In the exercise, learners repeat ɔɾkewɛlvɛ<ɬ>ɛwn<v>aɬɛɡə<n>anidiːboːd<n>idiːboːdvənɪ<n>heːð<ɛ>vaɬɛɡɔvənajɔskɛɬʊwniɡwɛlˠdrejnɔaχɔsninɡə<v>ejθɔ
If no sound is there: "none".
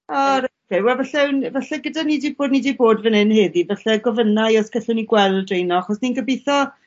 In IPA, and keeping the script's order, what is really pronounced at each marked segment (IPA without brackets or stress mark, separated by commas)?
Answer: ɬ, v, d, n, n, i, b